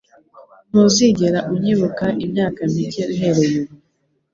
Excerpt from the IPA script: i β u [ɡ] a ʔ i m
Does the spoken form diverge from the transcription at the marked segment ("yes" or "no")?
yes